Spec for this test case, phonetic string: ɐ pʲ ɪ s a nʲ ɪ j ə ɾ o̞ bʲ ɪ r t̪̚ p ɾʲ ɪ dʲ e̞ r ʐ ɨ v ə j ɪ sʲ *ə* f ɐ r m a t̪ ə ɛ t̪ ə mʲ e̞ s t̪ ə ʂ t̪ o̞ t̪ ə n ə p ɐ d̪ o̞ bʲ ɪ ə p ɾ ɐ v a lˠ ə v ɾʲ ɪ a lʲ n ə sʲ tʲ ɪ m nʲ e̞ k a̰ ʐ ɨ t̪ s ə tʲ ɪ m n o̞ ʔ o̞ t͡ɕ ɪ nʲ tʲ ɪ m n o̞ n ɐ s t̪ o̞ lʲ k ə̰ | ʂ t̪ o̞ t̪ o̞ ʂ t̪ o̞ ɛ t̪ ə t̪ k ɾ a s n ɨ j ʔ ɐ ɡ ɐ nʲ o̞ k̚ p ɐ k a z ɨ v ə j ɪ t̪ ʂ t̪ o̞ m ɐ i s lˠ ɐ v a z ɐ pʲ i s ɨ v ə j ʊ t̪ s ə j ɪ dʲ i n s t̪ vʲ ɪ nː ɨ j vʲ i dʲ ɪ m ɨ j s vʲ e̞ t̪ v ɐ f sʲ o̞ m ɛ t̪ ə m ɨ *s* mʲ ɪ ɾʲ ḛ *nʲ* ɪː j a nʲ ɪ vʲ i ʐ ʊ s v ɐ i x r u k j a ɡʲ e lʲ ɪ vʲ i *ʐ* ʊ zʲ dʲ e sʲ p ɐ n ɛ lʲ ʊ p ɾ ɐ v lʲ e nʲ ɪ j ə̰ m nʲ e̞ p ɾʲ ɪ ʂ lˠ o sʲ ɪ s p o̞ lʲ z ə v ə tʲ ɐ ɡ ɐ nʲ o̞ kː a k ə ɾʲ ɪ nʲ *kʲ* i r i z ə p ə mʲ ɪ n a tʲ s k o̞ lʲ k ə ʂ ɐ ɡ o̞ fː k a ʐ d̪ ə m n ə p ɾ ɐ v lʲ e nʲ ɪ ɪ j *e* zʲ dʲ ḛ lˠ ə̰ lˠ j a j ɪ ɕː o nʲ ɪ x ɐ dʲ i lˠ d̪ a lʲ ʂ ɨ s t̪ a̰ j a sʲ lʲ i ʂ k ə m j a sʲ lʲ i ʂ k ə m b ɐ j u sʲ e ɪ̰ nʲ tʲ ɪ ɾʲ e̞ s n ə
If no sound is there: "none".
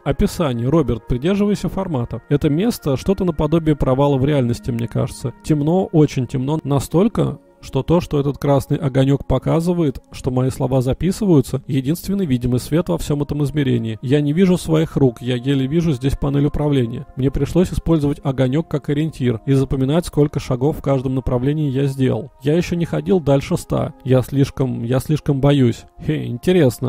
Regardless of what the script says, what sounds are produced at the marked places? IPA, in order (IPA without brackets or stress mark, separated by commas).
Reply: ə, z, nʲ, ʐ, tʲ, a